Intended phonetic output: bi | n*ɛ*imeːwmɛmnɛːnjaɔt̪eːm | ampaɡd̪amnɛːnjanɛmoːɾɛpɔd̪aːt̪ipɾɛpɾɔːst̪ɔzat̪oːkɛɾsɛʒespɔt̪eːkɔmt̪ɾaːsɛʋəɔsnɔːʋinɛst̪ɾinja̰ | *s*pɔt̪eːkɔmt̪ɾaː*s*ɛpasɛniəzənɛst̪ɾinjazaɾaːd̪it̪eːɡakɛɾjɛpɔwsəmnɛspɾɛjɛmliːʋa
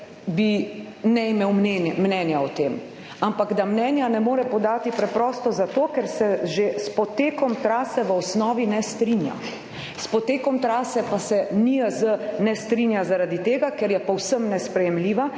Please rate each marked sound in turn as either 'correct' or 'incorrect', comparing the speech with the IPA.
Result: correct, correct, correct

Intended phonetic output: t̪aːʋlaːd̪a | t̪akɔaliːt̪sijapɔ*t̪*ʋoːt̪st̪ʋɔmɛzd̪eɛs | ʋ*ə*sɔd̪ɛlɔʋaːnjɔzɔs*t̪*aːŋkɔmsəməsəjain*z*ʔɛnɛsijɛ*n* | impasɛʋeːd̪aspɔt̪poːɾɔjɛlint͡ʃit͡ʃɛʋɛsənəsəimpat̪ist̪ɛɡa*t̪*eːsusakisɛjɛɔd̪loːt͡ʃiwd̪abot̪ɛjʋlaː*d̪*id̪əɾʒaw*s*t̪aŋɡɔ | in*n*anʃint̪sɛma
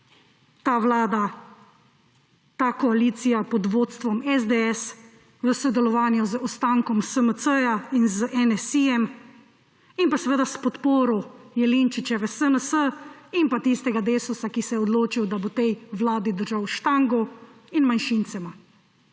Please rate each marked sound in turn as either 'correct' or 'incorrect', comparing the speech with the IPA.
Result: incorrect, correct, correct, correct, incorrect, incorrect, correct, incorrect, incorrect

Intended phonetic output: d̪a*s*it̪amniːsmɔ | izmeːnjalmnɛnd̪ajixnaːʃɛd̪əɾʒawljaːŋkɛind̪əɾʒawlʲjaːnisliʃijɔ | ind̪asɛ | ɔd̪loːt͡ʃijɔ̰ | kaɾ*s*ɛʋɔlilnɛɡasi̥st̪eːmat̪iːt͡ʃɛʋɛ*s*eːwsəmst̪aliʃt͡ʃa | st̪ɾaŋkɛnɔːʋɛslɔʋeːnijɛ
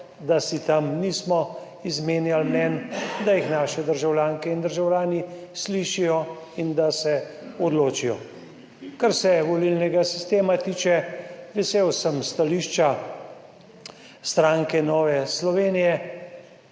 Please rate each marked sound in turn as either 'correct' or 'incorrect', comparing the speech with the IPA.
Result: correct, correct, correct

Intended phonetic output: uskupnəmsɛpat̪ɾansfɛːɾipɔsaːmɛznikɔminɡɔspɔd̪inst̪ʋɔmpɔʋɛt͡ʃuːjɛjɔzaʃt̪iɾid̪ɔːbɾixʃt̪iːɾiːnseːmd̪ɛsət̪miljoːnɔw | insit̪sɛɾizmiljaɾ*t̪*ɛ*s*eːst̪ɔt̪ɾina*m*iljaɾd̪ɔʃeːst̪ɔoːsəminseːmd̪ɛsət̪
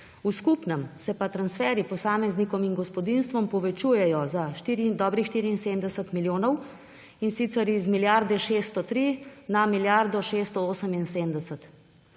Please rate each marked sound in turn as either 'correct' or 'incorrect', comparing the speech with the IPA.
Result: incorrect, incorrect, correct

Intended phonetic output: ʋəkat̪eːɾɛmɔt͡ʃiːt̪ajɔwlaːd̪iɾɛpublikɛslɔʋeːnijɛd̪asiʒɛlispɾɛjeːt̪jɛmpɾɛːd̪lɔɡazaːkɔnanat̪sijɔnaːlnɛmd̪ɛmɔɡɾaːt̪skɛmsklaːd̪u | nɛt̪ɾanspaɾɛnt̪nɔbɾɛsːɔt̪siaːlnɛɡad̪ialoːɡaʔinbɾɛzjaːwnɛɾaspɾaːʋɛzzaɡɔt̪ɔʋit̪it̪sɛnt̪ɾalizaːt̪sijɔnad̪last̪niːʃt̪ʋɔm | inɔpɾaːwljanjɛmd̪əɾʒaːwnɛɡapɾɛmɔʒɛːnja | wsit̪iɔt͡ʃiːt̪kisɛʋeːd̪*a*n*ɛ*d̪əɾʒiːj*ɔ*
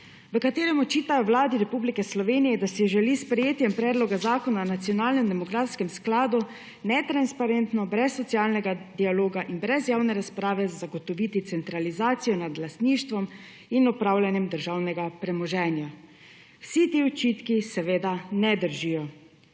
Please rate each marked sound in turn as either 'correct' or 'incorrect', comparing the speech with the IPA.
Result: correct, correct, correct

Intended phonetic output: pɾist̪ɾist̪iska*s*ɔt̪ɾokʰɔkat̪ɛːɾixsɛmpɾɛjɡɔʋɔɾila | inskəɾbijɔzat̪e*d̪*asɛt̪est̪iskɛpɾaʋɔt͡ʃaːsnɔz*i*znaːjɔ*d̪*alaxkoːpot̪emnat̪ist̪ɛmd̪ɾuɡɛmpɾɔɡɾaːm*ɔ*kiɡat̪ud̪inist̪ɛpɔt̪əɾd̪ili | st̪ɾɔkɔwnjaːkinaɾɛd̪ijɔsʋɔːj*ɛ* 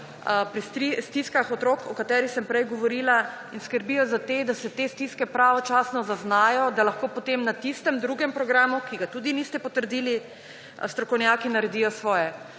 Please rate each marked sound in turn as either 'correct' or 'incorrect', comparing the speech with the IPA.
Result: incorrect, correct, incorrect, correct, incorrect, correct

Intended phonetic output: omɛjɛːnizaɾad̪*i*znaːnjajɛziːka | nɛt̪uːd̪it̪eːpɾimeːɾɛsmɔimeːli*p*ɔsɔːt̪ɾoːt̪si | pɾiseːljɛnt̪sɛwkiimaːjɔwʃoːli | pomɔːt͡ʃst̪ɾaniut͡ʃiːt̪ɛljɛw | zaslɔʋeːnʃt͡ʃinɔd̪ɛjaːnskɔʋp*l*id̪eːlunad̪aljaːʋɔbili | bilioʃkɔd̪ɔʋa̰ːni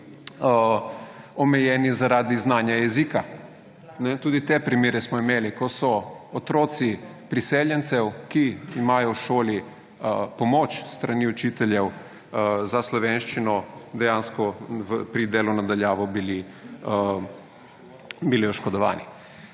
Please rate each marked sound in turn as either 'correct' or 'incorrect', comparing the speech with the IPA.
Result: correct, incorrect, incorrect

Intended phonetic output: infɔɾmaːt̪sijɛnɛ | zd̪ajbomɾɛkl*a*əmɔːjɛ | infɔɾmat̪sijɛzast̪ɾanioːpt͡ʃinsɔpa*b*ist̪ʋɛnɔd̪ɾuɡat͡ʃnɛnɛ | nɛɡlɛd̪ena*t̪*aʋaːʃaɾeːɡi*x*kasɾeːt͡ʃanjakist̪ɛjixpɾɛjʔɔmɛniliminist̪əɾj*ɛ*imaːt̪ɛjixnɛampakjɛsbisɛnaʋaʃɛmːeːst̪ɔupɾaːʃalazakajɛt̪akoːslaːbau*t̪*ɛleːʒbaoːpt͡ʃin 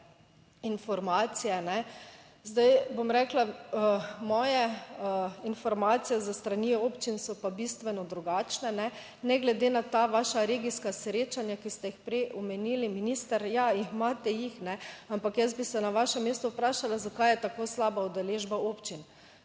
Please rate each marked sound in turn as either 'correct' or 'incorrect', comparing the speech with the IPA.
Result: correct, correct, correct, incorrect, incorrect, incorrect

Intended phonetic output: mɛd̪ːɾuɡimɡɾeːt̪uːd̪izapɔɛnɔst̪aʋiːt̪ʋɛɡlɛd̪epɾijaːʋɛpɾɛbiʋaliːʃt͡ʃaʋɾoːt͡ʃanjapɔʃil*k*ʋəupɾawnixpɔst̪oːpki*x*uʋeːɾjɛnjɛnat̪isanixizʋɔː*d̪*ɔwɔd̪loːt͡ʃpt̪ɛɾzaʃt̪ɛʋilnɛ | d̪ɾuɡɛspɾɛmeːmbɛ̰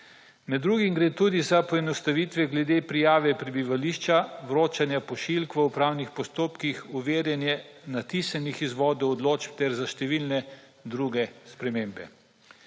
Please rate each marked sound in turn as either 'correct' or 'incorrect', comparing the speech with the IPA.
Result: correct, correct, correct

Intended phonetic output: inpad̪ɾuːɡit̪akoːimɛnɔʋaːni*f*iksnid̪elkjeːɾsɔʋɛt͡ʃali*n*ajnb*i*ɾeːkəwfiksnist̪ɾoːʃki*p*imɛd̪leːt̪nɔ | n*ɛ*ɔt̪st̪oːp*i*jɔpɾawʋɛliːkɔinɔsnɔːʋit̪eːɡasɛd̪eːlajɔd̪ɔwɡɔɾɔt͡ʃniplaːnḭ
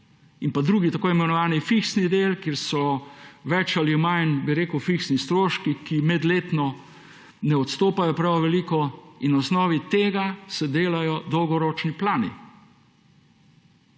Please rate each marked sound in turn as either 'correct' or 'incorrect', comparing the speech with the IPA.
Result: correct, incorrect, correct, incorrect, correct, incorrect

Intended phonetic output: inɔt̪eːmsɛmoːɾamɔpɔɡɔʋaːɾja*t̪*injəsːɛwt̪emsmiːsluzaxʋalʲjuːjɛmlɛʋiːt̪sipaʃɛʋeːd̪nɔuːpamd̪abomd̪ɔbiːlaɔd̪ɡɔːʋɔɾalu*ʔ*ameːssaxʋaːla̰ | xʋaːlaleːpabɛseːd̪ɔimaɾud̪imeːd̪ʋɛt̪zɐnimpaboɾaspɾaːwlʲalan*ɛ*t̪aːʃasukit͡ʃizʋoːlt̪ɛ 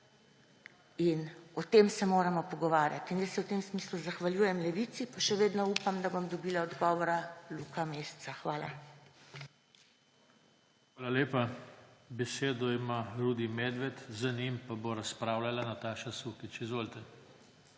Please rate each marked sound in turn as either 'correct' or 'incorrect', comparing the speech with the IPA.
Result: correct, incorrect, incorrect

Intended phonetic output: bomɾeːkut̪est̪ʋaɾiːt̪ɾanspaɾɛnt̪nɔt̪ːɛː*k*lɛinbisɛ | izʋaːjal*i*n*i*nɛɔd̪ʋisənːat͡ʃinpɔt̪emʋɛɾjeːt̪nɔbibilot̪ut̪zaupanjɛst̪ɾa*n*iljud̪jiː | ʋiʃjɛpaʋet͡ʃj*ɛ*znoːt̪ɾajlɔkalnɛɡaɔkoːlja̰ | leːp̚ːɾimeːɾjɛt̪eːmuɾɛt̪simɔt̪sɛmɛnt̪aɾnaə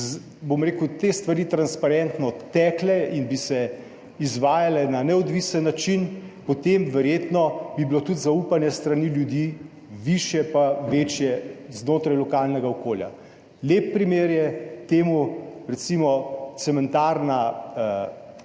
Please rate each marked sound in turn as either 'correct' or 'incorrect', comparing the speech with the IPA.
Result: correct, incorrect, incorrect, correct, correct

